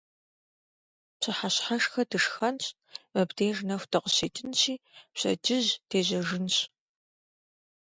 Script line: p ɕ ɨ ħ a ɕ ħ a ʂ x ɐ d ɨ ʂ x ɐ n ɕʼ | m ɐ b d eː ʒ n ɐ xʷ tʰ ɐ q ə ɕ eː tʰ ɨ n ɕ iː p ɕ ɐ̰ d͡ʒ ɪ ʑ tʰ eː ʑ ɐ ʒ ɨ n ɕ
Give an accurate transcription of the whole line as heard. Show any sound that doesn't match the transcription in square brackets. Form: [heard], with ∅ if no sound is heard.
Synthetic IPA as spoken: p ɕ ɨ ħ a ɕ ħ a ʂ x ɐ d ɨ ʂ x ɐ n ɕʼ | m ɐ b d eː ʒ n ɐ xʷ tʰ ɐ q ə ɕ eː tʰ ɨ n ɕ iː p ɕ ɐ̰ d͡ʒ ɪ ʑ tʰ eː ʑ ɐ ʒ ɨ n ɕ